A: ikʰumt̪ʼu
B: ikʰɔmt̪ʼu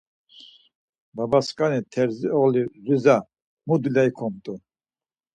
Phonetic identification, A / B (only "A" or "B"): B